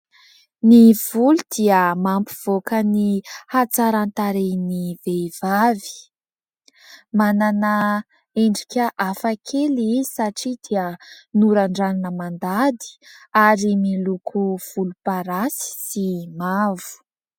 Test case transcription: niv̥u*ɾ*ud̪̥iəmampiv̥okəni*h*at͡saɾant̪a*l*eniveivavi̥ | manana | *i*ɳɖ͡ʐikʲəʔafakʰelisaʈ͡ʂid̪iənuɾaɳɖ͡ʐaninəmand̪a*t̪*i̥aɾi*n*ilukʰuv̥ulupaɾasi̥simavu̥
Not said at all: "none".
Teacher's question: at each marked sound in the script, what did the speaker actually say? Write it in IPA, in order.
l, h, ɾ, e, d̪, m

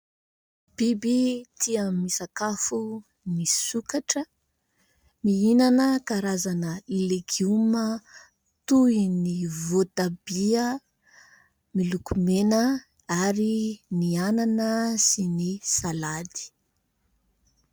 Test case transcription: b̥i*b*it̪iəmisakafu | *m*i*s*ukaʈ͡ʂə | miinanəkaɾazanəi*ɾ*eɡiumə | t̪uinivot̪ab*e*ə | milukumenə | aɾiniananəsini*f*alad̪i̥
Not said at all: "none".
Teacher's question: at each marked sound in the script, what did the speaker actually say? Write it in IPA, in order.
b, n, s, l, i, s

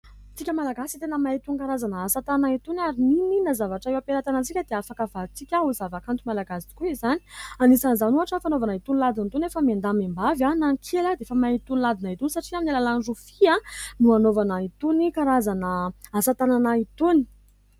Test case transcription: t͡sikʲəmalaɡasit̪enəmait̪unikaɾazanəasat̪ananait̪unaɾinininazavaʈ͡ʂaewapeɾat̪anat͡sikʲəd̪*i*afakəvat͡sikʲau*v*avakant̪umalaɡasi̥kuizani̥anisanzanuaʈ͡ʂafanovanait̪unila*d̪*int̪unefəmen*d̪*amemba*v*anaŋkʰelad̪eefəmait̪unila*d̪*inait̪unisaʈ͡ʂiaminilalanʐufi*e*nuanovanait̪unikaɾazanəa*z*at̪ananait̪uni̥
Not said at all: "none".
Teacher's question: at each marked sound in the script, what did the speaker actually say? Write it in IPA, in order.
e, z, d̪, d̪, v, d̪, a, s

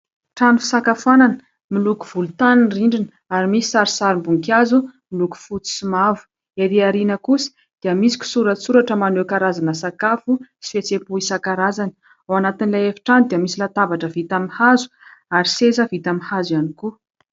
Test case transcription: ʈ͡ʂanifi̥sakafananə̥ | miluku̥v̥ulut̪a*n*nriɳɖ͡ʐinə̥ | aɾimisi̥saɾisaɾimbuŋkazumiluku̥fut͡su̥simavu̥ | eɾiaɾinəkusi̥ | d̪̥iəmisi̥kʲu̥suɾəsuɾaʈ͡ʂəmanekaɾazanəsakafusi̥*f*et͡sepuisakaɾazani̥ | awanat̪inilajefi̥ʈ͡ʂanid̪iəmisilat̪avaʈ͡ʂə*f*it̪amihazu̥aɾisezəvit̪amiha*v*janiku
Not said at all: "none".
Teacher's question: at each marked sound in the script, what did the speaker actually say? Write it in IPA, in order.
n, f, v, z

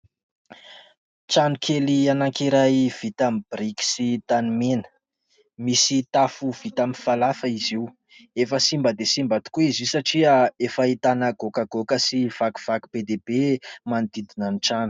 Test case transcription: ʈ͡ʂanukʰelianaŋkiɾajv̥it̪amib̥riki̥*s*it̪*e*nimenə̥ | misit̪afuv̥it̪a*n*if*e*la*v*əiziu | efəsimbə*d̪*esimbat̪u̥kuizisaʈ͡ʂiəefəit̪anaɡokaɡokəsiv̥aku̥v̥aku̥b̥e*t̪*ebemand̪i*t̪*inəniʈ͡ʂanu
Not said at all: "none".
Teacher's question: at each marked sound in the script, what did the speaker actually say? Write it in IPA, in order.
s, a, m, a, f, d̪, d̪, d̪

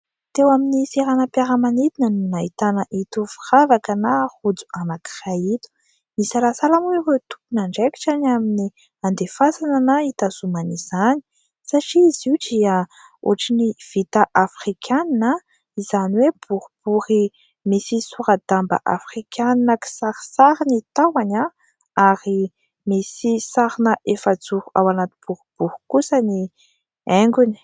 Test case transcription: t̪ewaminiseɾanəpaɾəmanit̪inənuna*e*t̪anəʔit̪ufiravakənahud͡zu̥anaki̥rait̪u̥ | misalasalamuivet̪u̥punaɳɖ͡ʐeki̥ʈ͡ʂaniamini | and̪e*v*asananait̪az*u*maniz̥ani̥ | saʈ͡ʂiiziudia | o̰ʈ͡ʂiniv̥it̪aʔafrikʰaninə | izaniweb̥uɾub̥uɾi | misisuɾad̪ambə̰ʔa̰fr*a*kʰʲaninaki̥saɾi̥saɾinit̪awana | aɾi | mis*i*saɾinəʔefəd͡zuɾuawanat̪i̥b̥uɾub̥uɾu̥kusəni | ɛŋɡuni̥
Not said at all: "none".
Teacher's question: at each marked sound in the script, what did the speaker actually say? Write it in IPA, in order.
i, f, u, i, i

